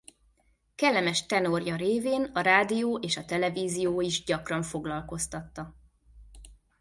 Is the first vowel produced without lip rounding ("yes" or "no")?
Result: yes